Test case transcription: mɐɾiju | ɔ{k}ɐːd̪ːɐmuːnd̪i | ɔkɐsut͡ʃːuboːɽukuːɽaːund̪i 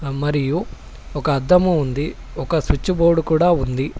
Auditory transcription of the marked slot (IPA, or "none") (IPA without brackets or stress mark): k